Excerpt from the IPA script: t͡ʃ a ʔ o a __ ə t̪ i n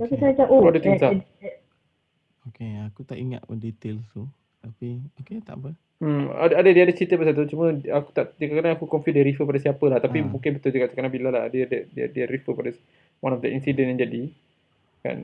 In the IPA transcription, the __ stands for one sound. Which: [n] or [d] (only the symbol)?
d